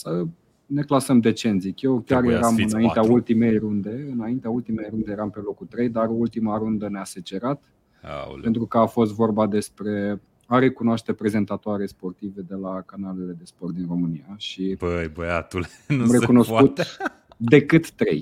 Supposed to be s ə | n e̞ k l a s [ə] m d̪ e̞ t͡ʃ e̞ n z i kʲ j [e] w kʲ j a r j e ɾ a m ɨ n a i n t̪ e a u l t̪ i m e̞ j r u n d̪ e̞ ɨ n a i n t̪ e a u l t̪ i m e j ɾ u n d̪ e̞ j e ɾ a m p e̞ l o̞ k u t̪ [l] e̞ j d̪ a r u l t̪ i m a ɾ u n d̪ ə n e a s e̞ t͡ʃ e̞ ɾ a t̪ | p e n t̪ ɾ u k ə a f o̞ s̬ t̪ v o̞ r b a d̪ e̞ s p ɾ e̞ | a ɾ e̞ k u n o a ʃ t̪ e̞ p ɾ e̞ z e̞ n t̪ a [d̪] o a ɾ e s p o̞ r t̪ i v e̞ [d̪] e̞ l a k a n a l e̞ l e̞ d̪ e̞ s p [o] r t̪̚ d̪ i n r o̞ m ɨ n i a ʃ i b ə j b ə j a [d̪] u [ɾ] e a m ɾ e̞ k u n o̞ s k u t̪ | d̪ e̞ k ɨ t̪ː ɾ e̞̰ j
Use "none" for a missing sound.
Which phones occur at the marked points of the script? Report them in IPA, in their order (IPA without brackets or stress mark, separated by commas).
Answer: ə, e, ɾ, t̪, d̪, o, t̪, l